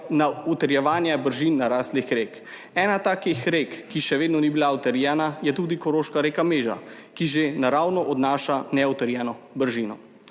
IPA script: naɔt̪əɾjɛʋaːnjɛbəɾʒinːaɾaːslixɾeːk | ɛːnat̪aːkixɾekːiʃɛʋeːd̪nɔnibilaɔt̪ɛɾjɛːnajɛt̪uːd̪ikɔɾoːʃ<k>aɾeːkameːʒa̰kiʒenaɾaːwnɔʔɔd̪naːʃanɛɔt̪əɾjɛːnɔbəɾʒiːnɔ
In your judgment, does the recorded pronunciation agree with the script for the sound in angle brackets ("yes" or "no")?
yes